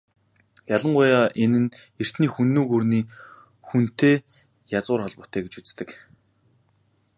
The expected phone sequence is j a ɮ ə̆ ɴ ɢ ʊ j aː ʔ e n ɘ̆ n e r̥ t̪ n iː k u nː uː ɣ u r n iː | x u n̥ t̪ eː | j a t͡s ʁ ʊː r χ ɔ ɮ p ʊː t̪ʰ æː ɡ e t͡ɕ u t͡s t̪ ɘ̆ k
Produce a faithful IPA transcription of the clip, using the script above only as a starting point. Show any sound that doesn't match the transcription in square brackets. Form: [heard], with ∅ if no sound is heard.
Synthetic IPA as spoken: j a ɮ ə̆ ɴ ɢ ʊ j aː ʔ e n ɘ̆ n e r̥ t̪ n iː [x] u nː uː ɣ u r n iː | x u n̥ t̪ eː | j a t͡s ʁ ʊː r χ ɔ ɮ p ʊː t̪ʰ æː ɡ e t͡ɕ u t͡s t̪ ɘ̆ k